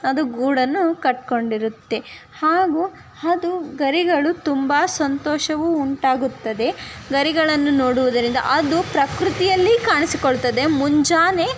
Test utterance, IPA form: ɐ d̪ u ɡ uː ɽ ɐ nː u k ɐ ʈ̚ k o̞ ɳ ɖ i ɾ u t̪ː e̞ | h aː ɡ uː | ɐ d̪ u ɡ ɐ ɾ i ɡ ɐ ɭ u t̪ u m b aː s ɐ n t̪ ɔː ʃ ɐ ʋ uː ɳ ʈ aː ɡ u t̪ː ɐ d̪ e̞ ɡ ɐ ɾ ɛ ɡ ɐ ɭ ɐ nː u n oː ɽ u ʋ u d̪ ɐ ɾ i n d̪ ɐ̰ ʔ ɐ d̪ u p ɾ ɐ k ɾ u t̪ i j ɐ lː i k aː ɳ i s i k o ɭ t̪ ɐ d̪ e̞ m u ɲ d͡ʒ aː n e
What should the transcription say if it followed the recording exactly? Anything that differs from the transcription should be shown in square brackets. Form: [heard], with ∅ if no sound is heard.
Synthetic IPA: ɐ d̪ u ɡ uː ɽ ɐ nː u k ɐ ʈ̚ k o̞ ɳ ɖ i ɾ u t̪ː e̞ | h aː ɡ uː | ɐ d̪ u ɡ ɐ ɾ i ɡ ɐ ɭ u t̪ u m b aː s ɐ n t̪ ɔː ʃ ɐ ʋ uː ɳ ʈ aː ɡ u t̪ː ɐ d̪ e̞ ɡ ɐ ɾ [i] ɡ ɐ ɭ ɐ nː u n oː ɽ u ʋ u d̪ ɐ ɾ i n d̪ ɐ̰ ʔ ɐ d̪ u p ɾ ɐ k ɾ u t̪ i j ɐ lː i k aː ɳ i s i k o ɭ t̪ ɐ d̪ e̞ m u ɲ d͡ʒ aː n e